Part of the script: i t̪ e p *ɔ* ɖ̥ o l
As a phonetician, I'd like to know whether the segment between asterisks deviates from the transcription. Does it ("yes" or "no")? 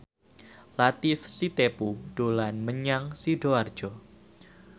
yes